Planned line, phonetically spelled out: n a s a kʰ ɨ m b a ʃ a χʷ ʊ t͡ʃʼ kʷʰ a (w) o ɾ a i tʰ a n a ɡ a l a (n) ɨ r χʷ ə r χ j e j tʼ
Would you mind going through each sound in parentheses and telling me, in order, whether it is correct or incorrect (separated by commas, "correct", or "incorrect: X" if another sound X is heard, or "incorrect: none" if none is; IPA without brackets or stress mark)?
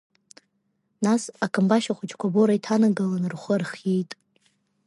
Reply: incorrect: b, correct